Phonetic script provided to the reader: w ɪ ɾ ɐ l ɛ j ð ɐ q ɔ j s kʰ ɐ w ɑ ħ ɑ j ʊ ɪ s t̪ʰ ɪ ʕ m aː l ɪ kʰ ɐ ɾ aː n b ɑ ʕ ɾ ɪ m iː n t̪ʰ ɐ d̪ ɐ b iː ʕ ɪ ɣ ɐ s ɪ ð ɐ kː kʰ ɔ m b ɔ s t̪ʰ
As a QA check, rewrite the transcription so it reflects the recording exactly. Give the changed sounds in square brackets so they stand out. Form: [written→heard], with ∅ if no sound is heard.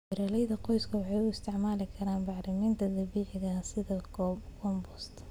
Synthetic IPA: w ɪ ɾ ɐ l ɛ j ð ɐ q ɔ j s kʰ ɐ w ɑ ħ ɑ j ʊ ɪ s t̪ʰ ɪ ʕ m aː l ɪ kʰ ɐ ɾ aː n b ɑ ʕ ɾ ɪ m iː n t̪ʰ ɐ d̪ ɐ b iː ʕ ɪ ɣ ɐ s ɪ ð ɐ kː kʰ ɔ m b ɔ s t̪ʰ